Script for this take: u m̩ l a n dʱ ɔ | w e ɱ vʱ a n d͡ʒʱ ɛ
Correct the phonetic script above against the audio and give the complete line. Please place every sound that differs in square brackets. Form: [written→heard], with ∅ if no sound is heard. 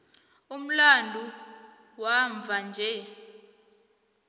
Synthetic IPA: u m̩ l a n dʱ [ɔ→u] | w [e→a] ɱ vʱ a n d͡ʒʱ ɛ